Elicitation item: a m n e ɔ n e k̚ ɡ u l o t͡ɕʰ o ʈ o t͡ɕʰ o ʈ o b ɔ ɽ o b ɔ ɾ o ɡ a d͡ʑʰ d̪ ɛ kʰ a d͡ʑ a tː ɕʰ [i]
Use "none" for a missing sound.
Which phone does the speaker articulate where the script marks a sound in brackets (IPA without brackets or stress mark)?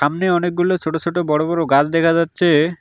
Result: e